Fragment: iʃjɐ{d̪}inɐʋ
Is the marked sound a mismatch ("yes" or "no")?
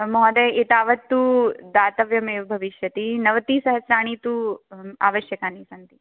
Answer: yes